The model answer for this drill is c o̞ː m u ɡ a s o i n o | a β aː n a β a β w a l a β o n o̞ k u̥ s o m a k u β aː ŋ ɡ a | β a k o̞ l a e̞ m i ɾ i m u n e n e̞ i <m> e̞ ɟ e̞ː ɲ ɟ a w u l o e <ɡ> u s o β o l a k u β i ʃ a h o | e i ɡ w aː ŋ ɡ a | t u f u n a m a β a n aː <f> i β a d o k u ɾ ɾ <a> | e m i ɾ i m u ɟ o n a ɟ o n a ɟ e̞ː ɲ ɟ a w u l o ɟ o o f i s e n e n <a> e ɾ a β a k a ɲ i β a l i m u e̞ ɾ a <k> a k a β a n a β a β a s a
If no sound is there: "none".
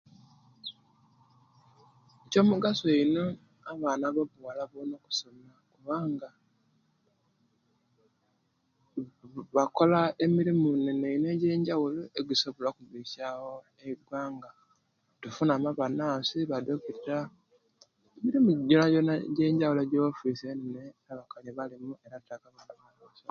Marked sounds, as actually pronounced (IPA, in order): n, ɡ, s, a, e, t

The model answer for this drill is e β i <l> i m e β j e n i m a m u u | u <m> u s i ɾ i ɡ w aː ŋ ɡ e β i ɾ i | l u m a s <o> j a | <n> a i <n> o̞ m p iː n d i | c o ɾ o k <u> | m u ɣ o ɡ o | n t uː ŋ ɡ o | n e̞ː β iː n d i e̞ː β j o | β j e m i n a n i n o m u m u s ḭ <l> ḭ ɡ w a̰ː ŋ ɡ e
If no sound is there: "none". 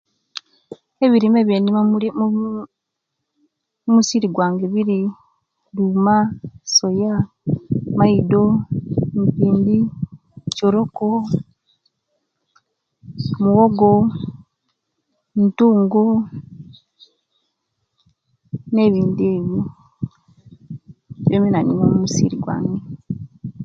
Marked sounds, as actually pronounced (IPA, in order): ɾ, m, o, m, d, o, ɾ

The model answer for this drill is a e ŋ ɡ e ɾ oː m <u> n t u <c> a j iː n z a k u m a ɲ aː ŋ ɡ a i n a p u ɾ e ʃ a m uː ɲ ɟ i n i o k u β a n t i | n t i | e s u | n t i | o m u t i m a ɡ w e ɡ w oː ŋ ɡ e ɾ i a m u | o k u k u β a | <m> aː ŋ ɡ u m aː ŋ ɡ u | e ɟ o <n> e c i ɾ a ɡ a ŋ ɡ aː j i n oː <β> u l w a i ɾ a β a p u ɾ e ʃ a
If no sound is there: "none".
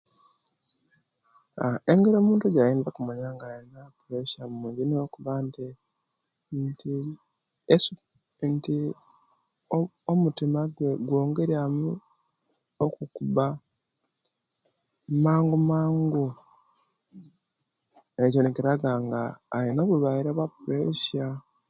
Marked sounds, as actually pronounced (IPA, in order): uː, ɟ, m, n, β

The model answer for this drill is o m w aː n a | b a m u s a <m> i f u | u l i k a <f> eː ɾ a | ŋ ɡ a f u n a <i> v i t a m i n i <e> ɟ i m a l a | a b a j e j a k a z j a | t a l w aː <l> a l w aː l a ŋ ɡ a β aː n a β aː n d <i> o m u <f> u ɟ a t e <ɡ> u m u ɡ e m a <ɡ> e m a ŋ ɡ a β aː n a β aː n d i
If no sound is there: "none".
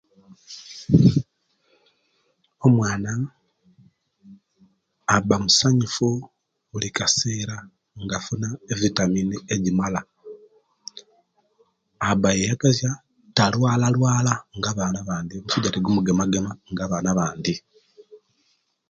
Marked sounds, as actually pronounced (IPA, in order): ɲ, s, e, e, l, i, s, ɡ, ɡ

